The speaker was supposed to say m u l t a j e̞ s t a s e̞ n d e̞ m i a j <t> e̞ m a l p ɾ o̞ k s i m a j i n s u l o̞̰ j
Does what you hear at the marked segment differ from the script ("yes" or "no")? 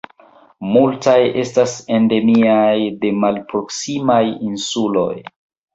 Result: yes